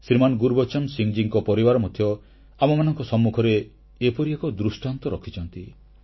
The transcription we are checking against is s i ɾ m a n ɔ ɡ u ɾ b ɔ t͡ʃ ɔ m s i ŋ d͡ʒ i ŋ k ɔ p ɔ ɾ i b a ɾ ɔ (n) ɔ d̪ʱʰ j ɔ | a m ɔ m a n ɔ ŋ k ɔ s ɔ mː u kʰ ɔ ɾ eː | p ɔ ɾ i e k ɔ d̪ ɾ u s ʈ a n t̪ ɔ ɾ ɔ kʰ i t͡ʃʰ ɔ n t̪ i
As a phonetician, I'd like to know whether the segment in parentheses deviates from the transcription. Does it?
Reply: yes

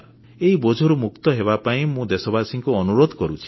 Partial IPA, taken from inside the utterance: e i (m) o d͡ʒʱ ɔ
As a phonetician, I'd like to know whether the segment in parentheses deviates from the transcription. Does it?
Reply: yes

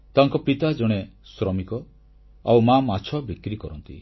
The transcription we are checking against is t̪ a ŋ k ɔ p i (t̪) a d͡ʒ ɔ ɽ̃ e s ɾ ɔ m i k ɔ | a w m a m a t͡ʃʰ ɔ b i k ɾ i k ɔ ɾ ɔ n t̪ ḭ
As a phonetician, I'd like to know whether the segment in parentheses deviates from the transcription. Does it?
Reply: no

